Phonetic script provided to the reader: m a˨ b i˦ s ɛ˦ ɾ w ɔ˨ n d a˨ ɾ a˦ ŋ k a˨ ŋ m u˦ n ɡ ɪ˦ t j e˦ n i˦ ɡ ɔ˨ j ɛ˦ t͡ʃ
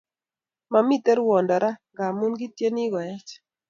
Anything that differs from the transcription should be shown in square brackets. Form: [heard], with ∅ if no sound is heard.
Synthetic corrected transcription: m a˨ [m] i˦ [t] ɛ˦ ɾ w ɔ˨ n d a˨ ɾ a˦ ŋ [ɡ] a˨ [∅] m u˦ n ɡ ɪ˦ t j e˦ n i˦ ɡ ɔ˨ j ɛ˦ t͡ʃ